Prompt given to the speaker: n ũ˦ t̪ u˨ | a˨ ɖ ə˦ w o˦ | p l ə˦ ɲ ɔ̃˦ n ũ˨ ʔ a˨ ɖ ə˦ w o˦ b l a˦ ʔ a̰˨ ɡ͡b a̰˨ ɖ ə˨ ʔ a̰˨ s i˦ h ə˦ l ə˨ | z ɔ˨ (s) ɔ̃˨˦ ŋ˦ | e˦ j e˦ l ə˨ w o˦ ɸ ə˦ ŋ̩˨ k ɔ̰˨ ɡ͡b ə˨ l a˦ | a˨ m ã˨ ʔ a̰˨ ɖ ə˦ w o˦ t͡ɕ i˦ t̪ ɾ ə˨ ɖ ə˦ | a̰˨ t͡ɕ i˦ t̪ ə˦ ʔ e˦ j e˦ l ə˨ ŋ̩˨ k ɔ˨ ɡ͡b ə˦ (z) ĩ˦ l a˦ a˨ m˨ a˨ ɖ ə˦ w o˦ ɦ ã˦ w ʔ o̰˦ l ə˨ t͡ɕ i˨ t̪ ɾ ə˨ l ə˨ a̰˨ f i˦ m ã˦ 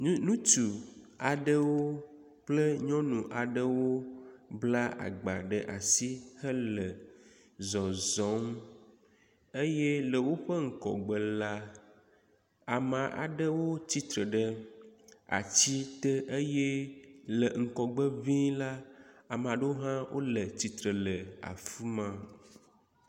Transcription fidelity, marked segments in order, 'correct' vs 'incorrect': incorrect: z, incorrect: v

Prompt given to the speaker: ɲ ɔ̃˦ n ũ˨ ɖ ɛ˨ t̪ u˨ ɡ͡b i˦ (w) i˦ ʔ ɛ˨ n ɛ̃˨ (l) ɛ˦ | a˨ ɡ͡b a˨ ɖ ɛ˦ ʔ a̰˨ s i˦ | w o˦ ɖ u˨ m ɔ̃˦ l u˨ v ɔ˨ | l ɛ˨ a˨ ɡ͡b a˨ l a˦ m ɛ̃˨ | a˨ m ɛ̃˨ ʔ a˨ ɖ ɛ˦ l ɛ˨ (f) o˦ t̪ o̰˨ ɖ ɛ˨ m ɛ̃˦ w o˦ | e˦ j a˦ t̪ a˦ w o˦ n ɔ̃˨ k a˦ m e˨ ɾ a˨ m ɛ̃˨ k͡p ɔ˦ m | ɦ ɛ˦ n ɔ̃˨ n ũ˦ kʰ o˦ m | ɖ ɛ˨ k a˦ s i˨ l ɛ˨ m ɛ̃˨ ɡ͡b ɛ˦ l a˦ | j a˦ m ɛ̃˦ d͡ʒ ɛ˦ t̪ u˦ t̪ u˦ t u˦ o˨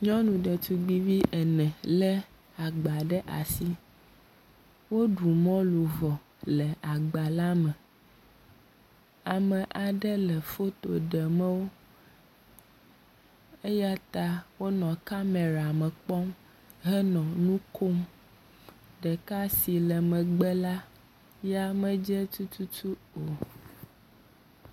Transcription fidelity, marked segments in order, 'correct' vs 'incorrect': incorrect: v, correct, correct

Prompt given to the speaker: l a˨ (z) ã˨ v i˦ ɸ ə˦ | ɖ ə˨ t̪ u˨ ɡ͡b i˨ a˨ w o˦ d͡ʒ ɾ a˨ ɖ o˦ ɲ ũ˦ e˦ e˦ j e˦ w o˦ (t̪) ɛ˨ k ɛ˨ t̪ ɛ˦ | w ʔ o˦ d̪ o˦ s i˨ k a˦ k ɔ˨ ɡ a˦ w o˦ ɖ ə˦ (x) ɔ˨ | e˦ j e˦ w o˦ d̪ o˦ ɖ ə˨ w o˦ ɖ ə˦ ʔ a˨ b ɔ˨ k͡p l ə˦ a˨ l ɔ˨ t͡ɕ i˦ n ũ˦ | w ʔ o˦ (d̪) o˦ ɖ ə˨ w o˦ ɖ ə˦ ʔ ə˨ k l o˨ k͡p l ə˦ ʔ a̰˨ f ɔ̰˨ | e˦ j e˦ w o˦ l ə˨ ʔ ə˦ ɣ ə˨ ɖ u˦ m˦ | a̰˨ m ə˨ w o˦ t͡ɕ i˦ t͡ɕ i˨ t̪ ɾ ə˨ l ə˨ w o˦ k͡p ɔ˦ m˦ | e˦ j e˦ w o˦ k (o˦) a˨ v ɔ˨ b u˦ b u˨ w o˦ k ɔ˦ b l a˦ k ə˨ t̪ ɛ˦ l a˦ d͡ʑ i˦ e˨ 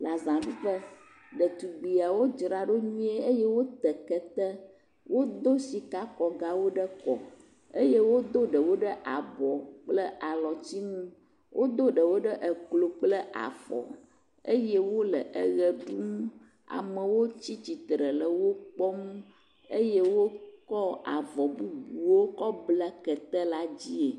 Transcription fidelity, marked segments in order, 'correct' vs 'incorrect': correct, correct, incorrect: k, correct, incorrect: ɔ˦

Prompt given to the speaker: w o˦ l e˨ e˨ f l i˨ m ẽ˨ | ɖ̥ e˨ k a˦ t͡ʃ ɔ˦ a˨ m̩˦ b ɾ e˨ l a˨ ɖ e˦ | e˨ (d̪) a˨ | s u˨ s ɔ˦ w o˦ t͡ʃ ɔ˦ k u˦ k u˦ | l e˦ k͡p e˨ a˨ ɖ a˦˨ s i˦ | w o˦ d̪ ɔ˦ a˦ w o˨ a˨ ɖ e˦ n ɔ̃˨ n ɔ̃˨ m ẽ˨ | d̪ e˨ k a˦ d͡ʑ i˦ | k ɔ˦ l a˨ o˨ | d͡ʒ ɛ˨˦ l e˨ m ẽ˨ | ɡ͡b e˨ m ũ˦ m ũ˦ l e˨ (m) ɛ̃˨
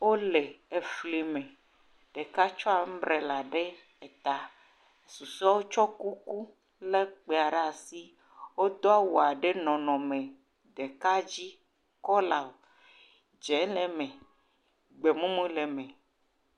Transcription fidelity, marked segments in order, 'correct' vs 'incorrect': incorrect: t̪, correct

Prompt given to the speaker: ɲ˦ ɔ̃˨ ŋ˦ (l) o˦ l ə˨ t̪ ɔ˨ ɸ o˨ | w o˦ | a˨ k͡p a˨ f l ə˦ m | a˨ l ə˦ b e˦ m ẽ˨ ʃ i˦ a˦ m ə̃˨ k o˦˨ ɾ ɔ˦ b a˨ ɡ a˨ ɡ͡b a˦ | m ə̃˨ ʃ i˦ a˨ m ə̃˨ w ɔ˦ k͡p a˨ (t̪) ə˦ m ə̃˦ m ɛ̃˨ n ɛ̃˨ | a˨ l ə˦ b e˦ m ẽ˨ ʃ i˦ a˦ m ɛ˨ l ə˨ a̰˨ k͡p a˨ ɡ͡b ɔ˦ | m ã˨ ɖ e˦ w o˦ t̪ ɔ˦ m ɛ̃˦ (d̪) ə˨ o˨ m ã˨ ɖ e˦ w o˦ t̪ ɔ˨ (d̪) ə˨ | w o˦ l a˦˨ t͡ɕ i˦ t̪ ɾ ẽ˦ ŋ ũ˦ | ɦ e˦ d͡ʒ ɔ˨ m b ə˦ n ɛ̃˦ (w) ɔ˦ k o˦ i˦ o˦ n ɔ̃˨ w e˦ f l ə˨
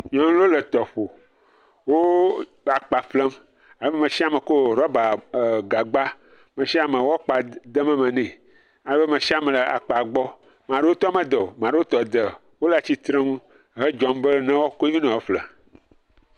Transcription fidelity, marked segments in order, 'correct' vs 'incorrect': correct, incorrect: d̪, correct, correct, correct

